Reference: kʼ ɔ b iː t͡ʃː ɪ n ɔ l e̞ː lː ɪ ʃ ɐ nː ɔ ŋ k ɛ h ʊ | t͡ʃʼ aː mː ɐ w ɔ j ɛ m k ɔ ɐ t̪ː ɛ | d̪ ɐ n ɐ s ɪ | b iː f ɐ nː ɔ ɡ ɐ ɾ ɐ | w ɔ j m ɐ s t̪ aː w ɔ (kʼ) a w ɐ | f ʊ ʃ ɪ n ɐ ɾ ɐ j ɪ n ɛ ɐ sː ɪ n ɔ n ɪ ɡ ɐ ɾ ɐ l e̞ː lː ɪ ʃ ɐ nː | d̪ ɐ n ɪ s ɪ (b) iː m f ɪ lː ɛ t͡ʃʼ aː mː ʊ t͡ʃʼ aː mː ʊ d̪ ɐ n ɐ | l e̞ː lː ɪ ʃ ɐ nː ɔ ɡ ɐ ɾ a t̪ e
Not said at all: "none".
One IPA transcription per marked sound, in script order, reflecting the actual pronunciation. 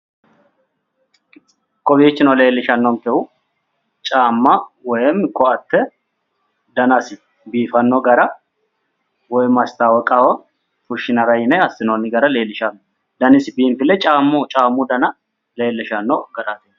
kʼ, b

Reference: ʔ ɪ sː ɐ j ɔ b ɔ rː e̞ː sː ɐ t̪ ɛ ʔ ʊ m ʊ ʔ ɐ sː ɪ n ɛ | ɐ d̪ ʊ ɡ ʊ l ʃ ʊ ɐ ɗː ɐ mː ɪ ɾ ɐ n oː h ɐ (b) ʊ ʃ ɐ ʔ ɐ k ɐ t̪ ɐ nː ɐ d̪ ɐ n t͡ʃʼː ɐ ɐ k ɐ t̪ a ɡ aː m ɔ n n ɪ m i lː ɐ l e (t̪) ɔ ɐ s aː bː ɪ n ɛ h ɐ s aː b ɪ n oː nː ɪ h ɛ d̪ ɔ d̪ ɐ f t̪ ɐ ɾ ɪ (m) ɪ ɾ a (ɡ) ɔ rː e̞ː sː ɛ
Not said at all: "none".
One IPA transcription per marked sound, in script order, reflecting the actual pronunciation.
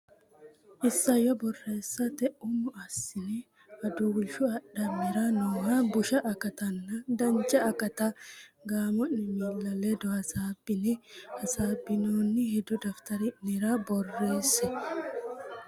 b, d̪, n, b

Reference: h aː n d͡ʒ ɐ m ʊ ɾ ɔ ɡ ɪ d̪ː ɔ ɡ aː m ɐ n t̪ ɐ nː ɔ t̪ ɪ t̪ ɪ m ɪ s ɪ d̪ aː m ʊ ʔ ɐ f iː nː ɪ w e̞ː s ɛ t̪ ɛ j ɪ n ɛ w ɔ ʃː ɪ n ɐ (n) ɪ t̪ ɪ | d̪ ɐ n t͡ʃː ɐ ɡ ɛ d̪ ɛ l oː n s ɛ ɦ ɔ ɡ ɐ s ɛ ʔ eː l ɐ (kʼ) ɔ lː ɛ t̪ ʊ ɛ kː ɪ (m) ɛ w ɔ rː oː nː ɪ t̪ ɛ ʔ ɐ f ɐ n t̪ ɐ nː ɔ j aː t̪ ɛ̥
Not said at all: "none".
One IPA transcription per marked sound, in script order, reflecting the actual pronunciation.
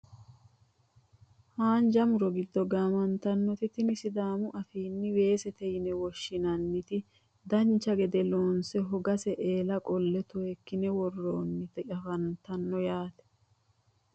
nː, kʼ, n

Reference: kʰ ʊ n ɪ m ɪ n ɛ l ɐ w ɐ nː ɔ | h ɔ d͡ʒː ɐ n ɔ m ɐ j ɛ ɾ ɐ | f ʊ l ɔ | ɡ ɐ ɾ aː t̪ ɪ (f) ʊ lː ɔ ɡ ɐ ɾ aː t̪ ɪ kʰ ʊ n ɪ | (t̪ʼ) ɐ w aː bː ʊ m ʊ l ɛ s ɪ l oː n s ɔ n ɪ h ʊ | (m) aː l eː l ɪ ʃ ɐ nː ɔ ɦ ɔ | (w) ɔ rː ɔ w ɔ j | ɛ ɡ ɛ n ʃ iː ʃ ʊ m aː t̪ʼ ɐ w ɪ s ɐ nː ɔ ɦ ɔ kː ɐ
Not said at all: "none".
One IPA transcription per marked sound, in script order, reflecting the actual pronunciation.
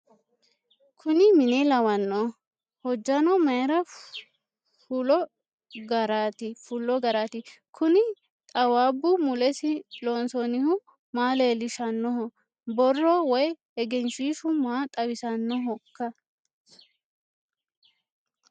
f, t̪ʼ, m, b

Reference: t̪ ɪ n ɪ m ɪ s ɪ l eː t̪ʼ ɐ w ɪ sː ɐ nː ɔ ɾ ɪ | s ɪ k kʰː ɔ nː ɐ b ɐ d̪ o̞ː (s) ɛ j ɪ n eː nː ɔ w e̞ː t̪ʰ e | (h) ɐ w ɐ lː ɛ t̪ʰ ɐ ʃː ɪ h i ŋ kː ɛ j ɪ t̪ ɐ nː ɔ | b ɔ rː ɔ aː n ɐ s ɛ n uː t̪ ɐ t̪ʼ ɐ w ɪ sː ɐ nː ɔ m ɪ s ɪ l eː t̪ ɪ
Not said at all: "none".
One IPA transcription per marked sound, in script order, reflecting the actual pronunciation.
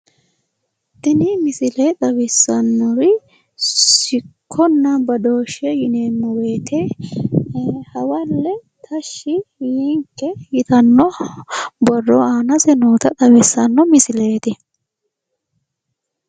ʃ, h

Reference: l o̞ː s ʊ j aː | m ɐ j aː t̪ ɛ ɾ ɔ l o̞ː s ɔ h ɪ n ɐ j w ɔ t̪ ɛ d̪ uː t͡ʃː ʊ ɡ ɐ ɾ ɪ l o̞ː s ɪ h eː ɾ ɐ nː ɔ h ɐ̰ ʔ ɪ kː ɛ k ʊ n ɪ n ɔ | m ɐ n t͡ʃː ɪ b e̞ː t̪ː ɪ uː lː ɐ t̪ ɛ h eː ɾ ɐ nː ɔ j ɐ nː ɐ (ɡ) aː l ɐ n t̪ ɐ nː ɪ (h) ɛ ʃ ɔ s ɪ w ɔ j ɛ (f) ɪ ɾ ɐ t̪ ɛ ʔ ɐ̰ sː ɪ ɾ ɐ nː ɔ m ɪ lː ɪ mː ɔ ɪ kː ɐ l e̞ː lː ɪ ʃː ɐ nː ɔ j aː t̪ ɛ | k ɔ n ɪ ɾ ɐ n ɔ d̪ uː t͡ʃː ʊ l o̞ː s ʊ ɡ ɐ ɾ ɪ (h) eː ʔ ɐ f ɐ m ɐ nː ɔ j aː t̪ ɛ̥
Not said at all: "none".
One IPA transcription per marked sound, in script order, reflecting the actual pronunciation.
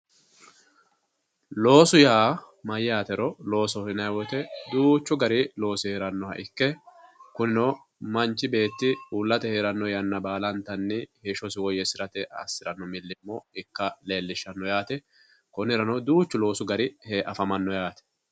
b, h, s, h

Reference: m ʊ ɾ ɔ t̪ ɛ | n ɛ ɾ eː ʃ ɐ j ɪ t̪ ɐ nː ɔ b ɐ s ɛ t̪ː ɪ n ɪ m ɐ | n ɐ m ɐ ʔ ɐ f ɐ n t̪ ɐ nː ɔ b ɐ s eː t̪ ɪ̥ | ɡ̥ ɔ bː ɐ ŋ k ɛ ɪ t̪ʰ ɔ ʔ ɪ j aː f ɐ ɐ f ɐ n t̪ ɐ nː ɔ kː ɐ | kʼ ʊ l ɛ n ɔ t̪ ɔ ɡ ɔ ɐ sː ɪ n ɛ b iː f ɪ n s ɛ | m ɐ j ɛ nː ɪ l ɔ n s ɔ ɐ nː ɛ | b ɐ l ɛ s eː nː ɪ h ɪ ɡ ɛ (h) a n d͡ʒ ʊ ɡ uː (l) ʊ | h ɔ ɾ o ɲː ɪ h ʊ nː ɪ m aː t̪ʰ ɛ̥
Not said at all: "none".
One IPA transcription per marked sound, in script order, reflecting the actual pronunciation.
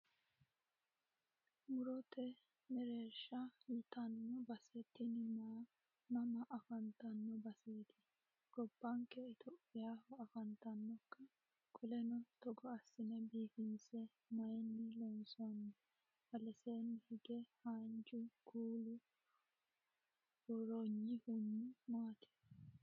h, l

